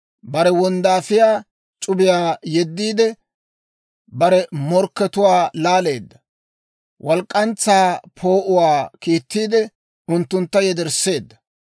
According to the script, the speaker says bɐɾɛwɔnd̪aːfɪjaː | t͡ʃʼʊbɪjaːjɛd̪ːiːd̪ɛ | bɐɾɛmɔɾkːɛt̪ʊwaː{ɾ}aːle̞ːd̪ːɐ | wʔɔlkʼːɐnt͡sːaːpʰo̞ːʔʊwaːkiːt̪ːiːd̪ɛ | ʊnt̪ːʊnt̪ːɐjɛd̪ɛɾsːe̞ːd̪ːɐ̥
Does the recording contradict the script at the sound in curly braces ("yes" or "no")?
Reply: yes